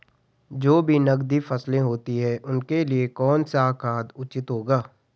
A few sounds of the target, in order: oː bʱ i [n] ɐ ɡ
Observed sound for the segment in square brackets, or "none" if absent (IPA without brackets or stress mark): n